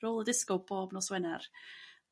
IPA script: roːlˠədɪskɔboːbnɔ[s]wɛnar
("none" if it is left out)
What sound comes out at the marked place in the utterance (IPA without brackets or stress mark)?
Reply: s